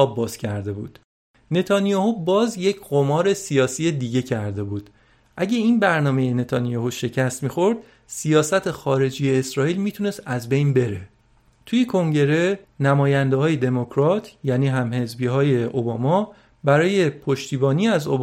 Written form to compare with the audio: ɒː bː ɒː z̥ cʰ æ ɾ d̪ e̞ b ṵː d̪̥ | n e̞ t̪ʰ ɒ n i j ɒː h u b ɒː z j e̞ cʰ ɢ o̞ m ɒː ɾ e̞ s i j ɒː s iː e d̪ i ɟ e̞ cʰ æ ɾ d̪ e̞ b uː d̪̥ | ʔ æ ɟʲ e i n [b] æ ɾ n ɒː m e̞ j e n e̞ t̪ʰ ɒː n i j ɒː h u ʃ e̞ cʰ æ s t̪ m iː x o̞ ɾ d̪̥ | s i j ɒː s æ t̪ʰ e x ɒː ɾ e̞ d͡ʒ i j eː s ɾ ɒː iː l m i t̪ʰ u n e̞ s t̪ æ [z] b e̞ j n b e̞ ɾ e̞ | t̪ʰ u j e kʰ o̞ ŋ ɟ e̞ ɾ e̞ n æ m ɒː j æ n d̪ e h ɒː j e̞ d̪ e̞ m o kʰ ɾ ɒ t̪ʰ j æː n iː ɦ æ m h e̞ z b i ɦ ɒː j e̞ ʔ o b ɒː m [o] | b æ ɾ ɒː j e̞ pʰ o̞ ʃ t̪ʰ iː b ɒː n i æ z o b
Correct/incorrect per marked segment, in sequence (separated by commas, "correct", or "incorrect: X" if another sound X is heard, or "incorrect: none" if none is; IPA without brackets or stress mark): correct, correct, incorrect: ɒ